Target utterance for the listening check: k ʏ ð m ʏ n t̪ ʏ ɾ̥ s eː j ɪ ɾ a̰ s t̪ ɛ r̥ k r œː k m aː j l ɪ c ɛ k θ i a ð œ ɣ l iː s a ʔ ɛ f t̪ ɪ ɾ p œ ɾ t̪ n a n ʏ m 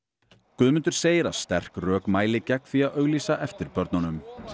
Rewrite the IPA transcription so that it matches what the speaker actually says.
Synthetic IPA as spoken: k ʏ ð m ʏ n t̪ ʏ ɾ̥ s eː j ɪ ɾ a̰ s t̪ ɛ r̥ k r œː k m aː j l ɪ c ɛ k θ i a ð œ ɣ l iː s a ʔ ɛ f t̪ ɪ ɾ p œ ɾ t̪ n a n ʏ m

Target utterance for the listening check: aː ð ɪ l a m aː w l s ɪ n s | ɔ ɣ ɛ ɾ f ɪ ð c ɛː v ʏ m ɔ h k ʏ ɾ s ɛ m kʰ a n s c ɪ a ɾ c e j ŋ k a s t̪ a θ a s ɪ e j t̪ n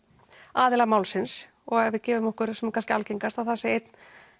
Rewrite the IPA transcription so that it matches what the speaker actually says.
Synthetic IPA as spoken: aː ð ɪ l a m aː w l s ɪ n s | ɔ ɣ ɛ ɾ v ɪ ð c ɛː v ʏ m ɔ h k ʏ ɾ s ɛ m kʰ a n s c ɪ a l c e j ŋ k a s t̪ a θ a s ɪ e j t̪ n

